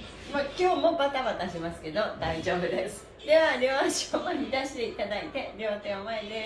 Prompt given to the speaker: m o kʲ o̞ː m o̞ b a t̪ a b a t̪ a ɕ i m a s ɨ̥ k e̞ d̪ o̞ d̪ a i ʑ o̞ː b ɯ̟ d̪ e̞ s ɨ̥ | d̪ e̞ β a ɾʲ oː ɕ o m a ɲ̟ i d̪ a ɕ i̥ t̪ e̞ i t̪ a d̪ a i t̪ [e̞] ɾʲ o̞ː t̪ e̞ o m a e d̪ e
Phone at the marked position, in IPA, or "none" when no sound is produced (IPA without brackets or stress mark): e̞